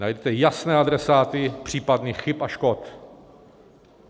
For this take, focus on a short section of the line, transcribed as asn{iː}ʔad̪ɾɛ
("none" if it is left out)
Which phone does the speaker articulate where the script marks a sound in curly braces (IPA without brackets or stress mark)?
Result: ɛː